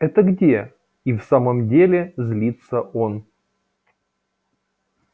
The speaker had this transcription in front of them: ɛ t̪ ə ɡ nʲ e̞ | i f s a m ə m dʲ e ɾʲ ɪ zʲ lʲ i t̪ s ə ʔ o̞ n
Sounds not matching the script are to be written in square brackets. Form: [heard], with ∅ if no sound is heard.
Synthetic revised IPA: ɛ t̪ ə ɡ [dʲ] e̞ | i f s a m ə m dʲ e [lʲ] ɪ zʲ lʲ i t̪ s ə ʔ o̞ n